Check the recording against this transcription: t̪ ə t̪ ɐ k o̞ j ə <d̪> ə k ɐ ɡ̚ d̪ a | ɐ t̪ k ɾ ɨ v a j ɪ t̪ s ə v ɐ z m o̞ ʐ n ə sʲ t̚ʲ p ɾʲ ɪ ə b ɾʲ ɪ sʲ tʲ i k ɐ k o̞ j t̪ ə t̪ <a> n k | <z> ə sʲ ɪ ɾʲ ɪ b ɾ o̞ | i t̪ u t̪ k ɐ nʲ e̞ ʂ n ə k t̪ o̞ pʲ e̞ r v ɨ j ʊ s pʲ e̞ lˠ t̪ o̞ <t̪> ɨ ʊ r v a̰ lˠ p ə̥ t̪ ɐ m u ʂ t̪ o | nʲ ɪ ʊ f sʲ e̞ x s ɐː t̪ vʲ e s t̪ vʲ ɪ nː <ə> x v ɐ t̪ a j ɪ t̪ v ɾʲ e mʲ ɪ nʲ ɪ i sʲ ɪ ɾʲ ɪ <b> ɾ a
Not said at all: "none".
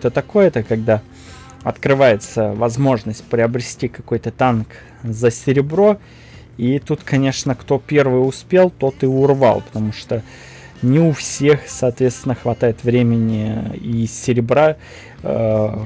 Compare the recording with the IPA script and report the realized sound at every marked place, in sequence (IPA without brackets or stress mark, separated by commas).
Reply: t̪, a, z, t̪, ə, b